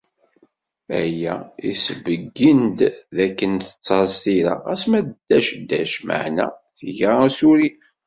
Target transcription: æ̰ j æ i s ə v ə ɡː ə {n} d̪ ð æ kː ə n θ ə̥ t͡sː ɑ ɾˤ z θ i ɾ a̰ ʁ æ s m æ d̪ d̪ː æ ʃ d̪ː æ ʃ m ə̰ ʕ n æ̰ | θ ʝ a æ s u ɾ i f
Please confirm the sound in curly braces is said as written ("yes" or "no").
yes